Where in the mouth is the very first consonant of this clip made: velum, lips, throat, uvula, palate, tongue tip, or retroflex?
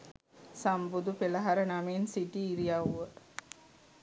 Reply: tongue tip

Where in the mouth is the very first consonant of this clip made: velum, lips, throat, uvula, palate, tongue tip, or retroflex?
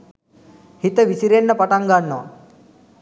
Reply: throat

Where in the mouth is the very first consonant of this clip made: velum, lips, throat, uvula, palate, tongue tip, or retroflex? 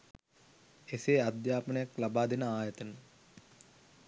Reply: tongue tip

